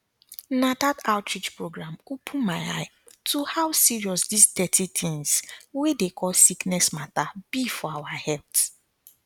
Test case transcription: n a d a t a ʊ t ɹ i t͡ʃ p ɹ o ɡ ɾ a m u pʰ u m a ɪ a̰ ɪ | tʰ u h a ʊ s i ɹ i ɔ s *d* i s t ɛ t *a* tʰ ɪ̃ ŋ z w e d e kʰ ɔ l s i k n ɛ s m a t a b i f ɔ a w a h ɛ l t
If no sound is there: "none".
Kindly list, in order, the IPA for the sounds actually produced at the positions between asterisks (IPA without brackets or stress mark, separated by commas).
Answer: d, i